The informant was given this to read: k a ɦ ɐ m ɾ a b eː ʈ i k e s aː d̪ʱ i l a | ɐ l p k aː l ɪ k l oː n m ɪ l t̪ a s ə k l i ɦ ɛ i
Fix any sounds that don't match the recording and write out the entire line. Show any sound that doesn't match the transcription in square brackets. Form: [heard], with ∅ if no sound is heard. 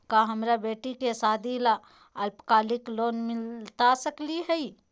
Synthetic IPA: k a ɦ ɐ m ɾ a b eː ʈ i k e s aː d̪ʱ i l a | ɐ l p k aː l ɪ k l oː n m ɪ l t̪ a s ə k l i ɦ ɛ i